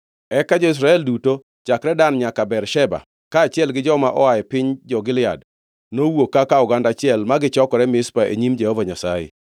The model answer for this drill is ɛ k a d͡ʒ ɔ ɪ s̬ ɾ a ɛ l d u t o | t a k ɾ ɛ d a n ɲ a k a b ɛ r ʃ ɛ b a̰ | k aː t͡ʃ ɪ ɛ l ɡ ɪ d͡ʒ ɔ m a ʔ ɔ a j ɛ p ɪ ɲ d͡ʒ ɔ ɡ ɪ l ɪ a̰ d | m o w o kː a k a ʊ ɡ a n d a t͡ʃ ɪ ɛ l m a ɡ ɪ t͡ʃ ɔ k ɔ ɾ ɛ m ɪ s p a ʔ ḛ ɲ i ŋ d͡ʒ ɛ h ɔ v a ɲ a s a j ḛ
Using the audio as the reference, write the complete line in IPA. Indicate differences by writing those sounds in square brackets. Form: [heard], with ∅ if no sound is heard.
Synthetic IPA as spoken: ɛ k a d͡ʒ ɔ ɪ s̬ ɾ a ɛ l d u t o | [t͡ʃ] a k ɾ ɛ d a n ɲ a k a b ɛ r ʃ ɛ b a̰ | k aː t͡ʃ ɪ ɛ l ɡ ɪ d͡ʒ ɔ m a ʔ ɔ a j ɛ p ɪ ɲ d͡ʒ ɔ ɡ ɪ l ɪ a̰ d | [n] o w o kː a k a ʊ ɡ a n d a t͡ʃ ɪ ɛ l m a ɡ ɪ t͡ʃ ɔ k ɔ ɾ ɛ m ɪ s p a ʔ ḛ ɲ i [m] d͡ʒ ɛ h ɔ v a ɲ a s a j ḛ